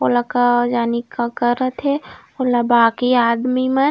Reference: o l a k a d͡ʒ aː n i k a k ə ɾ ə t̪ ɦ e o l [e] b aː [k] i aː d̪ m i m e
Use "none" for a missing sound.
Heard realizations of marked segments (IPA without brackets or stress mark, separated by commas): a, k